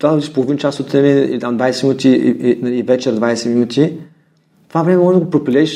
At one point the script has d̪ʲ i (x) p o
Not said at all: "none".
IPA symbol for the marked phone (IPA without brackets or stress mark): ʃ